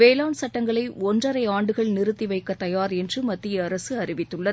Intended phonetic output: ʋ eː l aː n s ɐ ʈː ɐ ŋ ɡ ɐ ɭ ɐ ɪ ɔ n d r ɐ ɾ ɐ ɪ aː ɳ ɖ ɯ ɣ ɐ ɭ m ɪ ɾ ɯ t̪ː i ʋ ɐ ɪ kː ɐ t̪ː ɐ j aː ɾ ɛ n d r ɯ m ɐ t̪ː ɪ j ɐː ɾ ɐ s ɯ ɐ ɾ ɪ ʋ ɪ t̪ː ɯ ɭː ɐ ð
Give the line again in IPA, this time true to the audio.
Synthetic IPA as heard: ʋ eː l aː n s ɐ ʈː ɐ ŋ ɡ ɐ ɭ ɐ ɪ ɔ n d r ɐ ɾ ɐ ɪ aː ɳ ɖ ɯ ɣ ɐ ɭ n ɪ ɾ ɯ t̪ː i ʋ ɐ ɪ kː ɐ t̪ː ɐ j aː ɾ ɛ n d r ɯ m ɐ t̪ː ɪ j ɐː ɾ ɐ s ɯ ɐ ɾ ɪ ʋ ɪ t̪ː ɯ ɭː ɐ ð

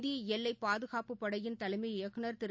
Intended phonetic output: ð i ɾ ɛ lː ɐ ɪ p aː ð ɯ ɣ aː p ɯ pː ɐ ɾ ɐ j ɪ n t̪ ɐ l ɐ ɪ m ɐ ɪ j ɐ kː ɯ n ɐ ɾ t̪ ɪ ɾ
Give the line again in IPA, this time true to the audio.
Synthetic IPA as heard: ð i ɛ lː ɐ ɪ p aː ð ɯ ɣ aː p ɯ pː ɐ ɽ ɐ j ɪ n t̪ ɐ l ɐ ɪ m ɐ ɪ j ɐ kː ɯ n ɐ ɾ t̪ ɪ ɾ

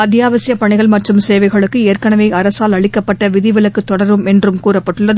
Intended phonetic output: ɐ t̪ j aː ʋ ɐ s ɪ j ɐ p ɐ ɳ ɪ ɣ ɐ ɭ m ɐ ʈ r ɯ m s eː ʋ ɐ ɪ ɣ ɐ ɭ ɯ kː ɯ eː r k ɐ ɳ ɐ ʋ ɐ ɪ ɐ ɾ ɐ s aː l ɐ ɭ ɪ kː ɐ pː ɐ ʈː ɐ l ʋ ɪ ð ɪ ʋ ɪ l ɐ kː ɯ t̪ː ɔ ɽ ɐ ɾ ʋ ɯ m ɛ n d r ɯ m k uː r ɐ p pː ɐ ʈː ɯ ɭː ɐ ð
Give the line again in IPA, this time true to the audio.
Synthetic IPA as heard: ɐ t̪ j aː ʋ ɐ s ɪ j ɐ p ɐ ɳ ɪ ɣ ɐ ɭ m ɐ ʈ r ɯ m s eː ʋ ɐ ɪ ɣ ɐ ɭ ɯ kː ɯ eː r k ɐ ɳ ɐ ʋ ɐ ɪ ɐ ɾ ɐ s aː l ɐ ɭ ɪ kː ɐ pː ɐ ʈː ɐ ʋ ɪ ð ɪ ʋ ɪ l ɐ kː ɯ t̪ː ɔ ɽ ɐ ɾ ʋ ɯ m ɛ n d r ɯ m k uː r ɐ p pː ɐ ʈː ɯ ɭː ɐ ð

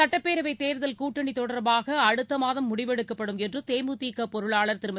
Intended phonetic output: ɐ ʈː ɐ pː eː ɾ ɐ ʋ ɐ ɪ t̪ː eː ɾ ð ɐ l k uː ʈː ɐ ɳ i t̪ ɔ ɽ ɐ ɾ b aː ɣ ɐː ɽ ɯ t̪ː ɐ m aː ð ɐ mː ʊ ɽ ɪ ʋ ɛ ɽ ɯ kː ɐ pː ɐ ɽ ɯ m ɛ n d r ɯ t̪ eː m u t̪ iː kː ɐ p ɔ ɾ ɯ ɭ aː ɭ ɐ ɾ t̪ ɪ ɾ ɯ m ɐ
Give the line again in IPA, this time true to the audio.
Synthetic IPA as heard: ɐ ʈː ɐ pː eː ɾ ɐ ʋ ɐ ɪ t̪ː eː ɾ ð ɐ l k uː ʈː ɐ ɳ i t̪ ɔ ɽ ɐ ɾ b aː ɣ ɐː ɽ ɯ t̪ː ɐ m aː ð ɐ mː ʊ ɽ ɪ ʋ ɛ ɽ ɯ kː ɐ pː ɐ ɽ ɯ m ɛ n d r ɯ t̪ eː m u t̪ iː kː ɐ p ɔ ɾ ɯ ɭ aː ɭ ɐ ɾ t̪ ɪ ɾ ɯ m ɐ

